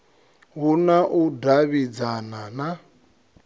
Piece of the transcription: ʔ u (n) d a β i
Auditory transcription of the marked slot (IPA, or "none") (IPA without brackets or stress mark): none